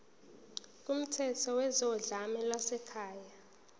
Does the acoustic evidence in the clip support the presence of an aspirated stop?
yes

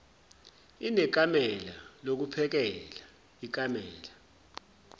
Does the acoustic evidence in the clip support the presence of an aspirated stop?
yes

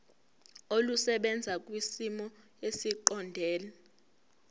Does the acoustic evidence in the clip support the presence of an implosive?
yes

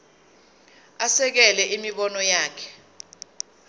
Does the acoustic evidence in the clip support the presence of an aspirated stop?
yes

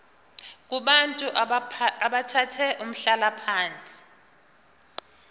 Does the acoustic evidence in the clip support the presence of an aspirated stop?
yes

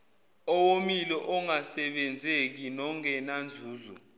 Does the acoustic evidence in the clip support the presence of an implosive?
yes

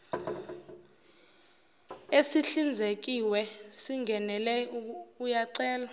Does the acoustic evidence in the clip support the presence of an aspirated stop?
no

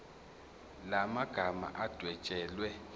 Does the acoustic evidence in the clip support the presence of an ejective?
yes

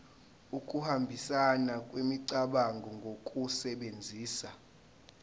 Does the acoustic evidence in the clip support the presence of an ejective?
yes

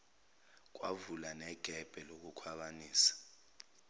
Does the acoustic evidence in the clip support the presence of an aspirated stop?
yes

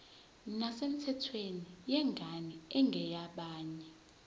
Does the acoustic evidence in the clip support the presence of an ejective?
no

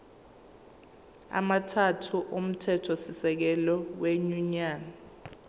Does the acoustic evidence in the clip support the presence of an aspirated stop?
yes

